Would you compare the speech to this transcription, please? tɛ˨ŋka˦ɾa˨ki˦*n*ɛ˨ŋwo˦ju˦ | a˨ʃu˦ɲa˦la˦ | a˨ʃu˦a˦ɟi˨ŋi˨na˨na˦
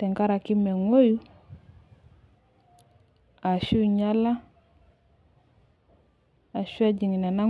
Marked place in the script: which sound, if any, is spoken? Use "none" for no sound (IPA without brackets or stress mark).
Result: m